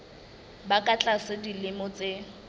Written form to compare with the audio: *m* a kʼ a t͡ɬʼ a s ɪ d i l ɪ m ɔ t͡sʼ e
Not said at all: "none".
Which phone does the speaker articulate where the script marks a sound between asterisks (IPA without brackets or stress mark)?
b